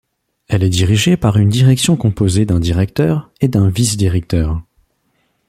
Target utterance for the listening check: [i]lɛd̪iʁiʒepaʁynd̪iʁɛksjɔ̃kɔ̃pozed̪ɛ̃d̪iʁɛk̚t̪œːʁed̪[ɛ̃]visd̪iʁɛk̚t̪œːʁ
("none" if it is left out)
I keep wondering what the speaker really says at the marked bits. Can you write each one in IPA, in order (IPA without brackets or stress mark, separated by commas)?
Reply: ɛ, ɛ̃